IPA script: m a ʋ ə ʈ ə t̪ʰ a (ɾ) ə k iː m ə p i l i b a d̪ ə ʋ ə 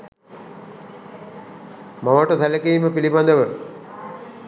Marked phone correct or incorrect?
incorrect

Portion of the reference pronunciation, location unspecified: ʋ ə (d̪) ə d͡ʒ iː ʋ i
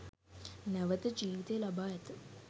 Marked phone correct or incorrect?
incorrect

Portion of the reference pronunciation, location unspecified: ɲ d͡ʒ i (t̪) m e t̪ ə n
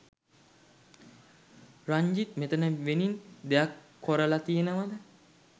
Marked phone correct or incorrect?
correct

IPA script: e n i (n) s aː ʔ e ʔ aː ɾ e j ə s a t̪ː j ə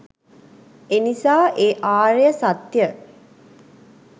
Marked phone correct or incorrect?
incorrect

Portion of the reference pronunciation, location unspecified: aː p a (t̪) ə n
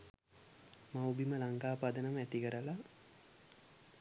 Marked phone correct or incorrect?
incorrect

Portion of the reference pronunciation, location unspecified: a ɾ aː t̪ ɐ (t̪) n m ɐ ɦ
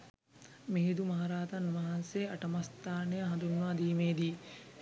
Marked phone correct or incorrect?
incorrect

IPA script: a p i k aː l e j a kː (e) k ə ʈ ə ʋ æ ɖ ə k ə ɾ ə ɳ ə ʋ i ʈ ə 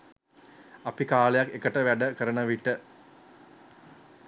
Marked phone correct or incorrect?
correct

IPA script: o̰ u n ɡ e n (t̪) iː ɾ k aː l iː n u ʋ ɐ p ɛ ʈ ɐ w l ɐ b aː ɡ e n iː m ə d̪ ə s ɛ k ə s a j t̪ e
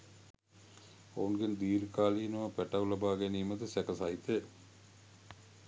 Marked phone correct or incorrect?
incorrect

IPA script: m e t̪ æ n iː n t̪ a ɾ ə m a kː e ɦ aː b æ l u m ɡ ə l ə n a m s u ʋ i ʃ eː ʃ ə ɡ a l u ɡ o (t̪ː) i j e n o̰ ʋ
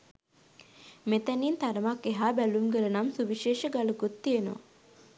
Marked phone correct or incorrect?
correct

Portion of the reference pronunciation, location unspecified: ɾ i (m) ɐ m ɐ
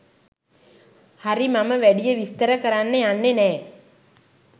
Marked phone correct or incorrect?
correct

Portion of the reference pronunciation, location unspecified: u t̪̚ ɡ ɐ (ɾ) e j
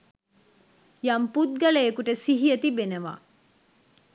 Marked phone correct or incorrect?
incorrect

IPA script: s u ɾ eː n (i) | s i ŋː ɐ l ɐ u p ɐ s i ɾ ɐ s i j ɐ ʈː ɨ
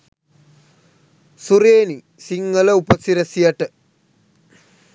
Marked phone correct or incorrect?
correct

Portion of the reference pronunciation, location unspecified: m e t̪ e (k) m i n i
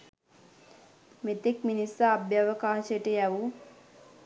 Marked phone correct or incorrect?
correct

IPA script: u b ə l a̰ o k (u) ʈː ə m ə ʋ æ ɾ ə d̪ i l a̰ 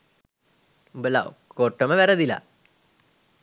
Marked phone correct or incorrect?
incorrect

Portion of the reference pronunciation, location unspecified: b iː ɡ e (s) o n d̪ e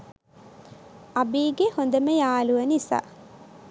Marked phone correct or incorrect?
incorrect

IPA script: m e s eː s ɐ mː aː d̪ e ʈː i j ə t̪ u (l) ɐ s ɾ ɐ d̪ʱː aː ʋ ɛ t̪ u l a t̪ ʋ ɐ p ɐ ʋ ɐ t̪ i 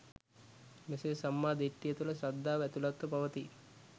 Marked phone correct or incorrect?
correct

